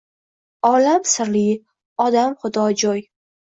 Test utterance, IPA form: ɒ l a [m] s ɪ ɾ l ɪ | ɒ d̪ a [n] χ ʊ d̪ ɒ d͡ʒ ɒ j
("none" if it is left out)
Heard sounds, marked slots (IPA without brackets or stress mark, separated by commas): m, m